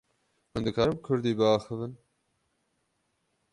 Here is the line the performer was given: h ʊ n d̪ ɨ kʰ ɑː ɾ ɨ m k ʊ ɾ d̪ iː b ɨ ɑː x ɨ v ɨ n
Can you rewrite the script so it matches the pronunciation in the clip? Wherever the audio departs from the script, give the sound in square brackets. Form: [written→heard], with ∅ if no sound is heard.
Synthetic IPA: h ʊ n d̪ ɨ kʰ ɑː ɾ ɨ m [k→kʰ] ʊ ɾ d̪ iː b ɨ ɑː x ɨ v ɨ n